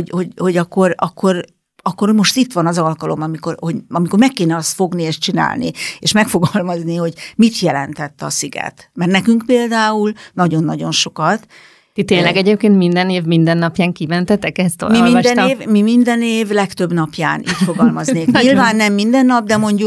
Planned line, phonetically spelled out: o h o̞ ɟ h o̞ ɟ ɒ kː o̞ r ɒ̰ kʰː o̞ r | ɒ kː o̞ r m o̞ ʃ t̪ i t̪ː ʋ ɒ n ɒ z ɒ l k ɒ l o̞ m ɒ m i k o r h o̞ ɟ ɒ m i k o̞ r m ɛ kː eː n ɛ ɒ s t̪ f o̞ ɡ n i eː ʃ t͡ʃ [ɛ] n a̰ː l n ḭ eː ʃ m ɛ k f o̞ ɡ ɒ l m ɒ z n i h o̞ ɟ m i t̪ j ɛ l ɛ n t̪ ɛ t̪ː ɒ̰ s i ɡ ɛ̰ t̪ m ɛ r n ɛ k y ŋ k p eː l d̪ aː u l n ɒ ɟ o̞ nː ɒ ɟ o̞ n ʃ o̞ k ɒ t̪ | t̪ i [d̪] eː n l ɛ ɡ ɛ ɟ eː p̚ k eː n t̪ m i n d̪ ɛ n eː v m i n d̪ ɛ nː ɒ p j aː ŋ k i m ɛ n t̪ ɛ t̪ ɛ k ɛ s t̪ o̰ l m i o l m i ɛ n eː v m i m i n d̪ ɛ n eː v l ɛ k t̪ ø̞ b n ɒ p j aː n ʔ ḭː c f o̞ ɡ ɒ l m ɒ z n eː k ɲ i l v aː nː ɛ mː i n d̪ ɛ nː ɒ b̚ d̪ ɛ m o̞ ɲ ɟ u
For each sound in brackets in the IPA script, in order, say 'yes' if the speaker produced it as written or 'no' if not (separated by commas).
no, no